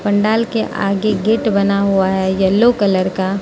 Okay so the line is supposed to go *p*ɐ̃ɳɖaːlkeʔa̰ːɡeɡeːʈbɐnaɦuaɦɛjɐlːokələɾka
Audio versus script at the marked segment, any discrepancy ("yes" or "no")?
no